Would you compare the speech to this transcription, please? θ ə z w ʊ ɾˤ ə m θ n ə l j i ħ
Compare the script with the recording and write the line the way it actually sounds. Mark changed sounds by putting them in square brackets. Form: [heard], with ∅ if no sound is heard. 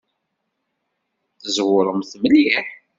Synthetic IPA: θ ə z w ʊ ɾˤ ə m θ [m] ə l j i ħ

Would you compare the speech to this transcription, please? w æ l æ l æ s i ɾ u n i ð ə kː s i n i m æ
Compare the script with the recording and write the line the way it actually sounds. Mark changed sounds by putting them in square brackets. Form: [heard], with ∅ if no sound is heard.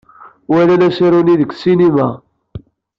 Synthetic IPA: w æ l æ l æ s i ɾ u n i ð ə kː s i n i m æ

